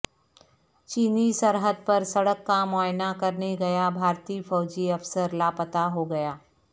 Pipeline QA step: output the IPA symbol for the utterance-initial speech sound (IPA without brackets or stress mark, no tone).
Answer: t͡ʃ